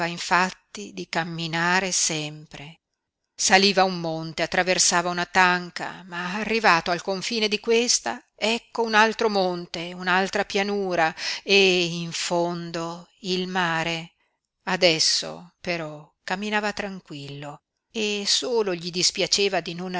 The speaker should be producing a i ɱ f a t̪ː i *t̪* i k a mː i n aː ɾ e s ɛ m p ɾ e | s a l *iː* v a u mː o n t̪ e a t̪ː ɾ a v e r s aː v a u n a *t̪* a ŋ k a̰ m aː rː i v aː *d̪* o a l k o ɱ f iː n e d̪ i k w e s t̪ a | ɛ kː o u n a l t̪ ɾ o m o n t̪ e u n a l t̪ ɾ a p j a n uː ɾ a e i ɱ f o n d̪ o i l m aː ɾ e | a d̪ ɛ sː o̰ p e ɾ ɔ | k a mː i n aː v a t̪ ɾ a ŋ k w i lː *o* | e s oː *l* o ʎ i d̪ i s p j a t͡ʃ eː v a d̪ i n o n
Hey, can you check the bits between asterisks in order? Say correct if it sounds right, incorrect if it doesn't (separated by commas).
incorrect, correct, correct, incorrect, correct, correct